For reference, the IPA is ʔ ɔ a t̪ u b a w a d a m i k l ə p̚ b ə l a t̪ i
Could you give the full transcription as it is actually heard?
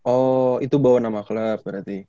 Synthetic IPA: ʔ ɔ i t̪ u b a w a n a m a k l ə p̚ b ə ɾ a t̪ i